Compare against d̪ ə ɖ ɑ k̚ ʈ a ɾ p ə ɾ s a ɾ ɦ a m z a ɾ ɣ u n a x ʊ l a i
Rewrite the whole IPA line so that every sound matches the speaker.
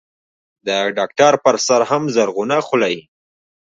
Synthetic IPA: d̪ ə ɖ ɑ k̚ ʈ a ɾ p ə ɾ s a ɾ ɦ a m z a ɾ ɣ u n a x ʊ l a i